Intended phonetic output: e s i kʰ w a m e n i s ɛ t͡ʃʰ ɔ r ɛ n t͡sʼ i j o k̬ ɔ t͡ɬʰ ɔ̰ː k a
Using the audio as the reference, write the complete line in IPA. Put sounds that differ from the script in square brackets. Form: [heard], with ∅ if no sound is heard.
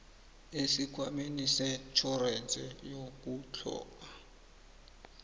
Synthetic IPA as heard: e s i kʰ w a m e n i s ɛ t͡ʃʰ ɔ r ɛ n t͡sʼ [ɛ] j o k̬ [u] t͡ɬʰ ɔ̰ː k a